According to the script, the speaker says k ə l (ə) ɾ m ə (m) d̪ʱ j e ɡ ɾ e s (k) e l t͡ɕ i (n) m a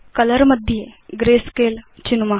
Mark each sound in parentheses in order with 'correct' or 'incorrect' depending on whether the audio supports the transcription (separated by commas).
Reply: correct, incorrect, correct, correct